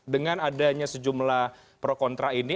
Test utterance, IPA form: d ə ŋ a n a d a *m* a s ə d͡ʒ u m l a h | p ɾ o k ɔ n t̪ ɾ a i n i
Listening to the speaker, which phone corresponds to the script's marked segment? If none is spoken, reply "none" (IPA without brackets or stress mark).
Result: ɲ